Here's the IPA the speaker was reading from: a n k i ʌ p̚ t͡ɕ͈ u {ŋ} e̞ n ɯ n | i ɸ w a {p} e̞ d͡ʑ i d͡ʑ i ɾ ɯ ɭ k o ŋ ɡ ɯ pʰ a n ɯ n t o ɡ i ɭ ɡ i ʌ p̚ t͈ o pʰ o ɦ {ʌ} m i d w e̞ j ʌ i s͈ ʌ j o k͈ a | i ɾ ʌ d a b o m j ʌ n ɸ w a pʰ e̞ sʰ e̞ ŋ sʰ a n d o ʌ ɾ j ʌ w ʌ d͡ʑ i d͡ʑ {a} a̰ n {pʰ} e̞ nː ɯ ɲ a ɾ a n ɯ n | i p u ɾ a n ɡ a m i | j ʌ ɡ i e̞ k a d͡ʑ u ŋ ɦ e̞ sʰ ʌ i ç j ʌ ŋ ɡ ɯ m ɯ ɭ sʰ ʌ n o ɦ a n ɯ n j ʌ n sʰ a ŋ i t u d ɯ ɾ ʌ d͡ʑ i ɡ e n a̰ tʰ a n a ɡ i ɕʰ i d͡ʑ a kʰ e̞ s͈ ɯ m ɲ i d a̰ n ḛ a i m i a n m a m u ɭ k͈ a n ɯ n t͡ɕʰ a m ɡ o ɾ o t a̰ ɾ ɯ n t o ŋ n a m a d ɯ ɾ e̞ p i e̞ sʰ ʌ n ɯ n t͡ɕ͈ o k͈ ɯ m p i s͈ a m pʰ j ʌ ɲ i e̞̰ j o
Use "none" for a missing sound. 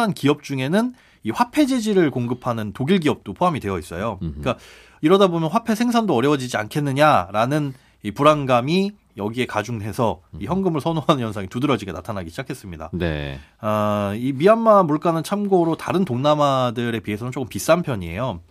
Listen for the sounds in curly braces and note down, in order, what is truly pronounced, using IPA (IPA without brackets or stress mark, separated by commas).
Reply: ŋ, pʰ, a, i, kʰ